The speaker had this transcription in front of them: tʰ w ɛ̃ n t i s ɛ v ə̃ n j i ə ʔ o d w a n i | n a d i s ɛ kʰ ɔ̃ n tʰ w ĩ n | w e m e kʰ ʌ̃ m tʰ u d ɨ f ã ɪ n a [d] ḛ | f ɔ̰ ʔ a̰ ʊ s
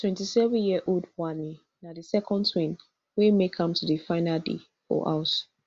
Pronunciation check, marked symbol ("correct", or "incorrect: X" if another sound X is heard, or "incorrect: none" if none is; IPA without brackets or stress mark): correct